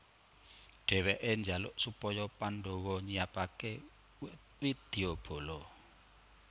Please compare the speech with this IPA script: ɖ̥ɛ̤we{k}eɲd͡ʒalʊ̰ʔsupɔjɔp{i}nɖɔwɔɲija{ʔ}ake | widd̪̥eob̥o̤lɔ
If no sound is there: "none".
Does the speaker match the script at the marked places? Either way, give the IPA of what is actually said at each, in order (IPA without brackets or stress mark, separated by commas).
ʔ, a, p